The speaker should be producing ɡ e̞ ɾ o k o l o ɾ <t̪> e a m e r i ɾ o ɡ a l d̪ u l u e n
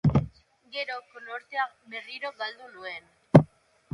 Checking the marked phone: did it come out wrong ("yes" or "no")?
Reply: no